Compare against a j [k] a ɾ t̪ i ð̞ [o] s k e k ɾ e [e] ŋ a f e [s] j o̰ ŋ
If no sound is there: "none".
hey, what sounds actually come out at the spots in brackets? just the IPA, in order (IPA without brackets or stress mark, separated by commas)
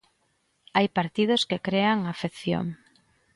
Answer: p, o, a, θ